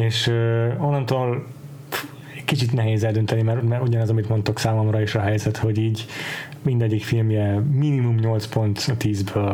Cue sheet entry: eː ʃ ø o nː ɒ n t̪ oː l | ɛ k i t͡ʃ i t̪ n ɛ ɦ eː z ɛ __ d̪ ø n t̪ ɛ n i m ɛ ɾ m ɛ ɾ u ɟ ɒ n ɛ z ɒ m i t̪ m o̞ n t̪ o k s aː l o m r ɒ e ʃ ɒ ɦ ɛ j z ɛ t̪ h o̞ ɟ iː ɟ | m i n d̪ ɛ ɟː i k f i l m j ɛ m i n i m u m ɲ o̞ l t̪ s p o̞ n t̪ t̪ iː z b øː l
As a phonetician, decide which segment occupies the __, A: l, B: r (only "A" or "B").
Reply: A